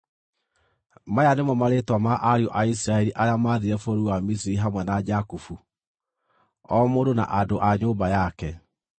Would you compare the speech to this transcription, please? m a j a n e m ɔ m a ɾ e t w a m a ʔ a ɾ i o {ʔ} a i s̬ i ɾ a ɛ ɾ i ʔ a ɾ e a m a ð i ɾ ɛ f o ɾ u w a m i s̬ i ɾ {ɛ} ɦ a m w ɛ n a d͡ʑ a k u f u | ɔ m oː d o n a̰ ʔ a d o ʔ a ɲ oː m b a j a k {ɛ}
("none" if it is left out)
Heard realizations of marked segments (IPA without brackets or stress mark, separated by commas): ʔ, i, ɛ